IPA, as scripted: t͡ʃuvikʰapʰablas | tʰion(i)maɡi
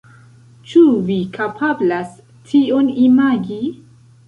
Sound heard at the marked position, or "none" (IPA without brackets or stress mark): i